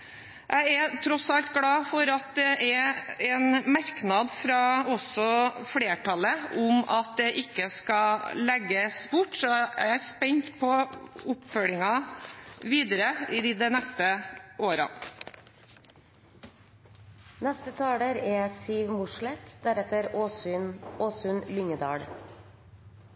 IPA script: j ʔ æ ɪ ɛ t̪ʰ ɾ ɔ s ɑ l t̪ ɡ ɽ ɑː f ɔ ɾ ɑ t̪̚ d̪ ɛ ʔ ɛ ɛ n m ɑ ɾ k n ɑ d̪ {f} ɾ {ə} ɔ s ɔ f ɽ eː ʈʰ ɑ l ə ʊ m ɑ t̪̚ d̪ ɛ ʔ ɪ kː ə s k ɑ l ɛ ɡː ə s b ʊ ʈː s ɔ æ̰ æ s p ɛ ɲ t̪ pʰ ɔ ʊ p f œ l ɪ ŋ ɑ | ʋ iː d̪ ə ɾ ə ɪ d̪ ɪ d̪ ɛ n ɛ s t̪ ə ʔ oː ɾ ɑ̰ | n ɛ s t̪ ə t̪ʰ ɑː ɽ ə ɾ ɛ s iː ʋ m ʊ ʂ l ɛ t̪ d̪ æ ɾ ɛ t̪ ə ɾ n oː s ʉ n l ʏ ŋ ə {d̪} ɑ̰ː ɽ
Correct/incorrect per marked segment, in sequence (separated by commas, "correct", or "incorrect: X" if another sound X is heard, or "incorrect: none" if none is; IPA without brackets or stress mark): correct, incorrect: ɑ, correct